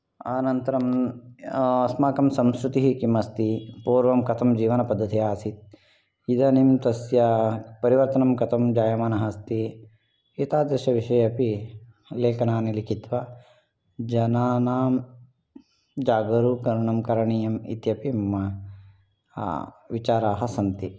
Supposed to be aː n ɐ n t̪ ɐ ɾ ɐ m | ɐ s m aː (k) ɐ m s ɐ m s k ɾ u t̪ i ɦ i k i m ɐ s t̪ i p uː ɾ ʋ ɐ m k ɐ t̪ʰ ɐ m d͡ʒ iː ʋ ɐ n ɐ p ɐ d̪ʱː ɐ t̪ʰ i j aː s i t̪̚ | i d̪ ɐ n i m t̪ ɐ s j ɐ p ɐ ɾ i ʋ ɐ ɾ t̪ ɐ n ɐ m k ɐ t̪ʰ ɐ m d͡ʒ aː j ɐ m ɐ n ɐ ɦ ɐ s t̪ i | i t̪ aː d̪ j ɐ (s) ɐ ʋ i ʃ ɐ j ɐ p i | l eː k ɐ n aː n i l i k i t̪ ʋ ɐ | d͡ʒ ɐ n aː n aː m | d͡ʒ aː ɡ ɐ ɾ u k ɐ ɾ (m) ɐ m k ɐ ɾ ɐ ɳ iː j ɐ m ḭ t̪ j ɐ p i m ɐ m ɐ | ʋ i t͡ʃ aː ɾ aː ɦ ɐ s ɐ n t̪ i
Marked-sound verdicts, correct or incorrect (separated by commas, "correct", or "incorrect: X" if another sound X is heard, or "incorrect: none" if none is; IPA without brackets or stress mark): correct, incorrect: ʃ, incorrect: ɳ